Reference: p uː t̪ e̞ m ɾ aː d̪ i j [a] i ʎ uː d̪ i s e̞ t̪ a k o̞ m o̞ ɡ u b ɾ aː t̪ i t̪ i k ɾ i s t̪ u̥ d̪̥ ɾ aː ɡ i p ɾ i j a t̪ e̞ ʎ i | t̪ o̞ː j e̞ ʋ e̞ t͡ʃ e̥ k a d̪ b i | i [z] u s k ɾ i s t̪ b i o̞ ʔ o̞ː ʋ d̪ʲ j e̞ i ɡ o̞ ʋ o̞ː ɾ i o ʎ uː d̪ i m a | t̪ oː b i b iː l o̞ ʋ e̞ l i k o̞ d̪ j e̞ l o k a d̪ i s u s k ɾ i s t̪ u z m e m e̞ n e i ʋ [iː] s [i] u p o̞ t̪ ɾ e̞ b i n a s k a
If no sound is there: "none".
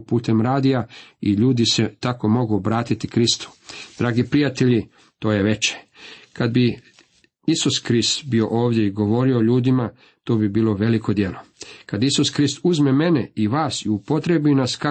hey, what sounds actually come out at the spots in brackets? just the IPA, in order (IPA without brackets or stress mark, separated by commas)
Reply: a, s, aː, i